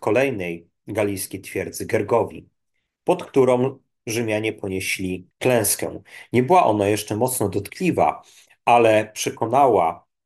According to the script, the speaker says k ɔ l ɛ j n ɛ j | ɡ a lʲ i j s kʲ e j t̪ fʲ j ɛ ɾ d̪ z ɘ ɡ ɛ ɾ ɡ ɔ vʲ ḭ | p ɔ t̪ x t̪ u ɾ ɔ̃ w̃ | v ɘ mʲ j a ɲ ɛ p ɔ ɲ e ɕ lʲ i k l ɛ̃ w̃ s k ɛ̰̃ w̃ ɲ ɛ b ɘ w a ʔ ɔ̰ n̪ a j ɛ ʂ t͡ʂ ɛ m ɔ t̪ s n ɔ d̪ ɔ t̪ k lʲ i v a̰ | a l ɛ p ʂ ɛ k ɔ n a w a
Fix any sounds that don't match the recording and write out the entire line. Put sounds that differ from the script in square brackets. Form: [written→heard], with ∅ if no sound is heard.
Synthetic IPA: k ɔ l ɛ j n ɛ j | ɡ a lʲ i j s kʲ e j t̪ fʲ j ɛ ɾ d̪ z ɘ ɡ ɛ ɾ ɡ ɔ vʲ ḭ | p ɔ t̪ [x→k] t̪ u ɾ ɔ̃ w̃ | [v→ʐ] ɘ mʲ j a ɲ ɛ p ɔ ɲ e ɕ lʲ i k l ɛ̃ w̃ s k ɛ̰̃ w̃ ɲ ɛ b ɘ w a ʔ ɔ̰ n̪ a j ɛ ʂ t͡ʂ ɛ m ɔ t̪ s n ɔ d̪ ɔ t̪ k lʲ i v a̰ | a l ɛ p ʂ ɛ k ɔ n a w a